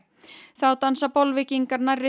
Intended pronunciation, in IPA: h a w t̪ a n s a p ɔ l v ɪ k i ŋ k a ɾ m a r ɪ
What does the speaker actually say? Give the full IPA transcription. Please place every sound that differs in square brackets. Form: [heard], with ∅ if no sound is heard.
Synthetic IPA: [θ] a w t̪ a n s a p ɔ l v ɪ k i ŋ k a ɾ [n] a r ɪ